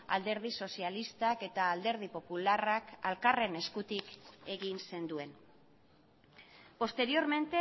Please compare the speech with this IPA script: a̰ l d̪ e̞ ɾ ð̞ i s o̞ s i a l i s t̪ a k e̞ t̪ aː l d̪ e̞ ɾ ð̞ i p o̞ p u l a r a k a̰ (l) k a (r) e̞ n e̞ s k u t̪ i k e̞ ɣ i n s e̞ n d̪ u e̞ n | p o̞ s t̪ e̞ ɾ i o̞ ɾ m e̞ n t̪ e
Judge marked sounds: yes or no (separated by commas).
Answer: yes, yes